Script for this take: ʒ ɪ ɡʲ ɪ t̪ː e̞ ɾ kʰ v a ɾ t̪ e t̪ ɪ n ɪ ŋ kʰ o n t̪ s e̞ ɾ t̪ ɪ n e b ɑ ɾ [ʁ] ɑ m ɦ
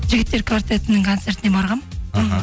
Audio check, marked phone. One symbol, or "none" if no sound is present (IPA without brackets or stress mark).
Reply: ʁ